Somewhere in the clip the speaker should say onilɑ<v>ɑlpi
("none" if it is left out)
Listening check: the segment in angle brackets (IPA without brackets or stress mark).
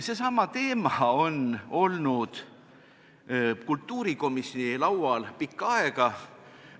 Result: w